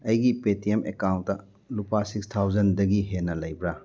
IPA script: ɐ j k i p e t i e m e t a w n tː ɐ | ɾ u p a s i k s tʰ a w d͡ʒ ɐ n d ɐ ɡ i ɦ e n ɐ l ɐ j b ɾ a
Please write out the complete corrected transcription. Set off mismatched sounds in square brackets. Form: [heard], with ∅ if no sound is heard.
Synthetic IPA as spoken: ɐ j [ɡ] i p e t i e m e [k] a w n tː ɐ | [l] u p a s i k s tʰ a w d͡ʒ ɐ n d ɐ ɡ i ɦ e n ɐ l ɐ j b ɾ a

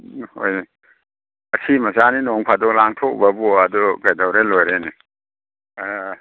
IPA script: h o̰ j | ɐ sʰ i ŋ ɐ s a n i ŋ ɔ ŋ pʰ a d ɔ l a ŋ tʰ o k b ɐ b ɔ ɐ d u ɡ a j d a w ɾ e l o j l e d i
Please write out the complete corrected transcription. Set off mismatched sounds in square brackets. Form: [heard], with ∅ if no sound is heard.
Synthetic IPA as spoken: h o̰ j | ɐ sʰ i [m] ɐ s a n i [n] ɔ ŋ pʰ a d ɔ l a ŋ tʰ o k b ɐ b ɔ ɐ d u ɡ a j d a w ɾ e l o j [ɾ] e [n] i

